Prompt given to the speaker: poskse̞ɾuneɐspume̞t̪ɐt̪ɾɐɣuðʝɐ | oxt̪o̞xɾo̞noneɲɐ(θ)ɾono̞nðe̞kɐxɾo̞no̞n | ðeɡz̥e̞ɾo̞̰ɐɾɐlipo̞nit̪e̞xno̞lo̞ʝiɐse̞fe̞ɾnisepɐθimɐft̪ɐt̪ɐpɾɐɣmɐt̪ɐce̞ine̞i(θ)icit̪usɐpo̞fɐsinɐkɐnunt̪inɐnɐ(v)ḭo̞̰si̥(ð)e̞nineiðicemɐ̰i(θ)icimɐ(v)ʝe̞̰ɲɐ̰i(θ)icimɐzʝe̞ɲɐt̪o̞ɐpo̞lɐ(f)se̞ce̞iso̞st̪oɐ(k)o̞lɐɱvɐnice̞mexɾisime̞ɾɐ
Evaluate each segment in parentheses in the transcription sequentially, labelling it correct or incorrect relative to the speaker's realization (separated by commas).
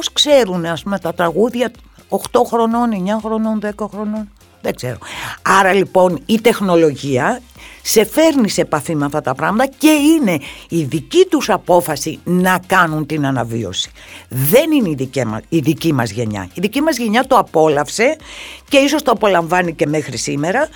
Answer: incorrect, incorrect, correct, correct, incorrect, incorrect, incorrect, correct, incorrect